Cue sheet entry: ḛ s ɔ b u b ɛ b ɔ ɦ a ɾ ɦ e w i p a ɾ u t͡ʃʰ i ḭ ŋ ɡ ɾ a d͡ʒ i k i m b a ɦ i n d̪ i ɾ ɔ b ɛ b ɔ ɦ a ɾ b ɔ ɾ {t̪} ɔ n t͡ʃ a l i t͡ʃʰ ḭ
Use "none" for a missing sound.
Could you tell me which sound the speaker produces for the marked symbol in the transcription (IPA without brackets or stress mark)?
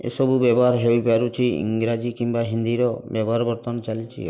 t̪